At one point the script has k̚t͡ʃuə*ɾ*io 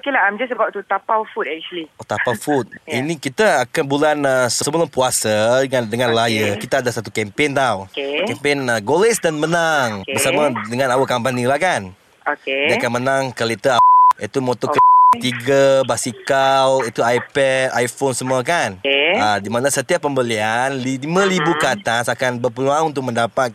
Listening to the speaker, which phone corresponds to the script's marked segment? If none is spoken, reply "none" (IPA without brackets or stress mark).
l